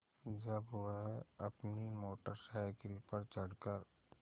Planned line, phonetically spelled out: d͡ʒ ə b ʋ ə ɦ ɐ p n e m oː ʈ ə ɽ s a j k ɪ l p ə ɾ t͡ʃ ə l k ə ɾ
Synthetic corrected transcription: d͡ʒ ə b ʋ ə ɦ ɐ p n i m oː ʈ ə ɾ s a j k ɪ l p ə ɾ t͡ʃ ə ɽ k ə ɾ